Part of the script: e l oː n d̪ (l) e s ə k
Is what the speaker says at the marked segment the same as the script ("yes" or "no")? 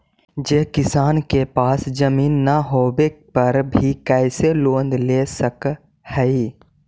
yes